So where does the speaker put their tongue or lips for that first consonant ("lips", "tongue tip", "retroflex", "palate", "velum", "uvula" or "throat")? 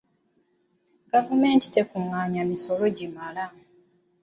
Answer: velum